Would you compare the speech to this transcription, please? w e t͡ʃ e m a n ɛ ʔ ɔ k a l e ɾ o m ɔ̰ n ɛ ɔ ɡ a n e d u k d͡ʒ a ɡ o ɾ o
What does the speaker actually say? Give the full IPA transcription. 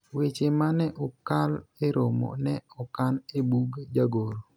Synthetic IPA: w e t͡ʃ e m a n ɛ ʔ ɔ k a l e ɾ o m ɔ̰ n ɛ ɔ k a n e b u ɡ d͡ʒ a ɡ o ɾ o